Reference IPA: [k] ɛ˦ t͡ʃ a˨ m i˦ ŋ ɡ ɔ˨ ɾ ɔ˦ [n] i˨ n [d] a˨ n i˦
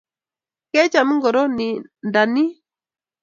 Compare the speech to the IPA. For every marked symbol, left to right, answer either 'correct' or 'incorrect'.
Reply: correct, correct, correct

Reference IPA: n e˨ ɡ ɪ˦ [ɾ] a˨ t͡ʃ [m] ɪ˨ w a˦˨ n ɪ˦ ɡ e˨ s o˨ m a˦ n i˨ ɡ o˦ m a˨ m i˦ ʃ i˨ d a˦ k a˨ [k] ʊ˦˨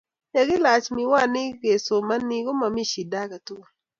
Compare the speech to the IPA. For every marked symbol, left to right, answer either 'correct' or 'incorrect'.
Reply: incorrect, correct, incorrect

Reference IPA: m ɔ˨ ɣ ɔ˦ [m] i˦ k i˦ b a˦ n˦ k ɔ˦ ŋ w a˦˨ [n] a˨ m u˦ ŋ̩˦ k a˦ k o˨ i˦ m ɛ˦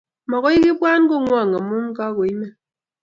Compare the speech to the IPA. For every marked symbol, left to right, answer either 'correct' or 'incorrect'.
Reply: incorrect, incorrect

